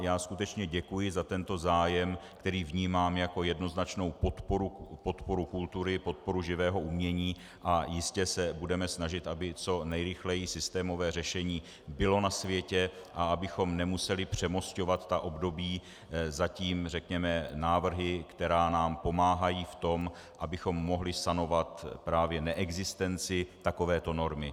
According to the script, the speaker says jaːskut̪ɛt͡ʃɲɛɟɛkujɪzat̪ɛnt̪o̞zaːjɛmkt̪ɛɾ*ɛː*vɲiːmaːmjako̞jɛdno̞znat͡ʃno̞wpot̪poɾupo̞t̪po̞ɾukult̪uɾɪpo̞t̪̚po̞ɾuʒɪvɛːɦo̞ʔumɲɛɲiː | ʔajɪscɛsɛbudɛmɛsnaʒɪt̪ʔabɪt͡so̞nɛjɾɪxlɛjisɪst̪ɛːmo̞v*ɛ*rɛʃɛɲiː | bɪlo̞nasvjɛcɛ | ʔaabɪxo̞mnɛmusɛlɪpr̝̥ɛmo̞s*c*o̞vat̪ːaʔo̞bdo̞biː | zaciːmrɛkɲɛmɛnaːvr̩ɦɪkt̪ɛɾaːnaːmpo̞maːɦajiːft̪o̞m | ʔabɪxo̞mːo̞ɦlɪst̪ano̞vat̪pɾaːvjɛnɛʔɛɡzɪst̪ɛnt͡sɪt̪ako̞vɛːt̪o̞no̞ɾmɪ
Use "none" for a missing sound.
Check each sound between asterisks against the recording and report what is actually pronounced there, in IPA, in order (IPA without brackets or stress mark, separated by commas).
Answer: iː, ɛː, c